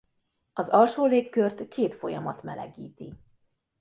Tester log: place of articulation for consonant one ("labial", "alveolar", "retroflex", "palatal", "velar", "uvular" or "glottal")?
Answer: alveolar